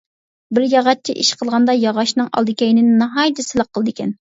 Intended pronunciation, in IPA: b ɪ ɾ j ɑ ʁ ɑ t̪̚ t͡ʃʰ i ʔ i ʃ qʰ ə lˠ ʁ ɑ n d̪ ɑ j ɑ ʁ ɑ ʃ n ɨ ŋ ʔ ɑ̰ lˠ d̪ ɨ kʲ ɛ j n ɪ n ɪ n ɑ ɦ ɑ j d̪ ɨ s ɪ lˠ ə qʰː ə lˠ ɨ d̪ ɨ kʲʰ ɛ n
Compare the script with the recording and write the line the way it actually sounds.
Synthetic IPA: b ɪ ɾ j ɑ ʁ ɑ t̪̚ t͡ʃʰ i ʔ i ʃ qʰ ə lˠ ʁ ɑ n d̪ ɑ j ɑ ʁ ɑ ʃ n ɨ ŋ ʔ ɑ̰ lˠ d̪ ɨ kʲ ɛ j n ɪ n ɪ n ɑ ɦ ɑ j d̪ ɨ s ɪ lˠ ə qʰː ə lˠ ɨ d̪ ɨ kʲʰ ɛ n